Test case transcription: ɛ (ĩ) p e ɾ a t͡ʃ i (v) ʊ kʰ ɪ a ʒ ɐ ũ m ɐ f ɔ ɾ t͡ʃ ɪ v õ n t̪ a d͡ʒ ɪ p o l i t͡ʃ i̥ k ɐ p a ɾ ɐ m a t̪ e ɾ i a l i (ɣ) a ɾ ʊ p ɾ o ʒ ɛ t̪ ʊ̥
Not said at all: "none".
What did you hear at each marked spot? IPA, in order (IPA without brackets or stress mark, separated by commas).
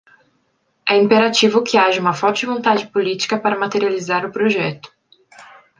ĩ, v, z